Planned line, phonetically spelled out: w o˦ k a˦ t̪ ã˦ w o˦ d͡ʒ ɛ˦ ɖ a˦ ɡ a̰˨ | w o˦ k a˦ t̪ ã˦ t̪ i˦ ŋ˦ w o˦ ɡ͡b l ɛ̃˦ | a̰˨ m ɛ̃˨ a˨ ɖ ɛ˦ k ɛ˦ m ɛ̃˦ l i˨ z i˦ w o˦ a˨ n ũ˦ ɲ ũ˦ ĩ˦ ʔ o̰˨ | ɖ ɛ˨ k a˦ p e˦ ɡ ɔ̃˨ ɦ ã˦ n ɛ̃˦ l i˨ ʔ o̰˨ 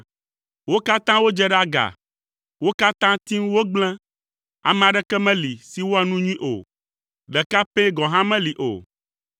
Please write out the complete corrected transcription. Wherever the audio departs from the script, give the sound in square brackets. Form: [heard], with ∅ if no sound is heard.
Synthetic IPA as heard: w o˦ k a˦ t̪ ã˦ w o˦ d͡ʒ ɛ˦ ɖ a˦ ɡ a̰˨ | w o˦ k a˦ t̪ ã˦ t̪ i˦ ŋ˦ w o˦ ɡ͡b l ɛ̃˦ | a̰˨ m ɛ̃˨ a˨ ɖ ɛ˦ k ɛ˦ m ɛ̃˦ l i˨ [s] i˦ w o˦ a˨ n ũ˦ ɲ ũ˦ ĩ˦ ʔ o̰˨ | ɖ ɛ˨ k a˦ p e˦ ɡ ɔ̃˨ ɦ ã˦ [m] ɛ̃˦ l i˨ ʔ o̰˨

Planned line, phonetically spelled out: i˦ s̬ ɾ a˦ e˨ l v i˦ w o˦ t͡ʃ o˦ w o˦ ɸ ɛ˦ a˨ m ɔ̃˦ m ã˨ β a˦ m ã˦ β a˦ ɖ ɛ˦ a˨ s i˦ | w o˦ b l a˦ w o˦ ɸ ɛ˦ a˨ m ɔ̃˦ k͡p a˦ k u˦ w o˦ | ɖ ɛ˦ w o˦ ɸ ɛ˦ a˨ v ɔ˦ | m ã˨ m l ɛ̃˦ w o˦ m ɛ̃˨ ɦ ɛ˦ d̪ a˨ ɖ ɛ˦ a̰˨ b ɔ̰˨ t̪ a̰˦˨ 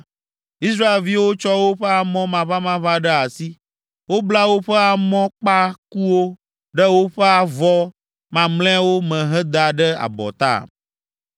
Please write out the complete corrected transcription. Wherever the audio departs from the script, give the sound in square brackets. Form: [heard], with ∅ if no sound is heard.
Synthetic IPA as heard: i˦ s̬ ɾ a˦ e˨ l v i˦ w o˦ t͡ʃ [ɔ˦] w o˦ ɸ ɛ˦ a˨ m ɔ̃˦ m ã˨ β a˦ m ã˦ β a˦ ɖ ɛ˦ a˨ s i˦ | w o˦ b l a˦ w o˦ ɸ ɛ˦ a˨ m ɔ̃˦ k͡p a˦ k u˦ w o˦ | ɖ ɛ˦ w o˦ ɸ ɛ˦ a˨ v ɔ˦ | m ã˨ m l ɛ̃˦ w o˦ m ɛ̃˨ ɦ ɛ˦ d̪ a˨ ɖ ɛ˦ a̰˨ b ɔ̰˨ t̪ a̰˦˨

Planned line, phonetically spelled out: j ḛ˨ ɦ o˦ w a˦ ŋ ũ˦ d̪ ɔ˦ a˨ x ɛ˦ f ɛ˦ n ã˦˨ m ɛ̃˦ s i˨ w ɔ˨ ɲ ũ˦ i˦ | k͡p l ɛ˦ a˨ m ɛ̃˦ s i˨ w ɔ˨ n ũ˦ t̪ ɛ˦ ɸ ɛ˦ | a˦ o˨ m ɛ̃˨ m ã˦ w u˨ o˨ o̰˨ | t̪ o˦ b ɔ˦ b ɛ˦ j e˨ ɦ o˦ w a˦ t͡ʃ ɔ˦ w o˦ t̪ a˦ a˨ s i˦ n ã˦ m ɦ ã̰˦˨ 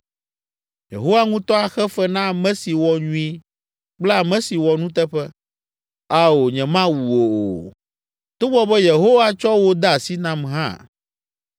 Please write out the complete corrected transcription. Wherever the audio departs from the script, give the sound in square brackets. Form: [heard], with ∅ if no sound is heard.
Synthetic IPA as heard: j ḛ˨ ɦ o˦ w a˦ ŋ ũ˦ [t̪] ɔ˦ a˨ x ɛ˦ f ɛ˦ n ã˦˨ m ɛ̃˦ s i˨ w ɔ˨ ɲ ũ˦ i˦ | k͡p l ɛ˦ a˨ m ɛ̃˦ s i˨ w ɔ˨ n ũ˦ t̪ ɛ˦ ɸ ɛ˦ | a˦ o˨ [ɲ] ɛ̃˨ m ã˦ w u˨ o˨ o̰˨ | t̪ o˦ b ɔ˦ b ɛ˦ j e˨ ɦ o˦ w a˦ t͡ʃ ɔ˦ w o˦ [d̪] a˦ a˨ s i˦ n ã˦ m ɦ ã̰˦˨

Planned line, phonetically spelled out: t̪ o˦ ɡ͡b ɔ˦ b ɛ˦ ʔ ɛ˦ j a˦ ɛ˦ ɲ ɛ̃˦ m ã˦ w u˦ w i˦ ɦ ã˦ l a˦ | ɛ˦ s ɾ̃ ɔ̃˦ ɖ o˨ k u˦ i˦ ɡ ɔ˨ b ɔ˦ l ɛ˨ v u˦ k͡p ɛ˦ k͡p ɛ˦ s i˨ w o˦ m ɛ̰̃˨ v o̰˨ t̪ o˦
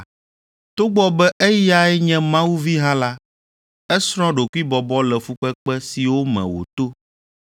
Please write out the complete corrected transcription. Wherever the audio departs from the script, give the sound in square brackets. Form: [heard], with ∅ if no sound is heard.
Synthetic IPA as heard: t̪ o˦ ɡ͡b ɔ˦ b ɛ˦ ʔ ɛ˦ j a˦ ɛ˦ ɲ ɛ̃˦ m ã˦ w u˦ [v] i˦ ɦ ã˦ l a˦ | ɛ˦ s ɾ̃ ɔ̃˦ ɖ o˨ k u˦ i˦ [b] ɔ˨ b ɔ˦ l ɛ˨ [f] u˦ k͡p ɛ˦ k͡p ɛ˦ s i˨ w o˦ m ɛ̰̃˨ [w] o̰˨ t̪ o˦

